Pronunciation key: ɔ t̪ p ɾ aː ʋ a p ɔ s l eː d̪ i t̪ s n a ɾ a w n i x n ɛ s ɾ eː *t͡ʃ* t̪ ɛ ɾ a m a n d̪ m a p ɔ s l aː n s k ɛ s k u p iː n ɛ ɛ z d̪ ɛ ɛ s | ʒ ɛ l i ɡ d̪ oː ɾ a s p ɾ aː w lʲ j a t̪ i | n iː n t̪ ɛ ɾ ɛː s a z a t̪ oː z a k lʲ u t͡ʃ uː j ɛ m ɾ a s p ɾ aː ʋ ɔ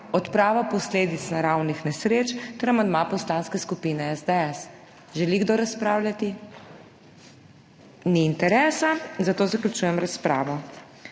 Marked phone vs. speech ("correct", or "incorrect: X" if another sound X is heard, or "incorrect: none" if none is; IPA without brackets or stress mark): correct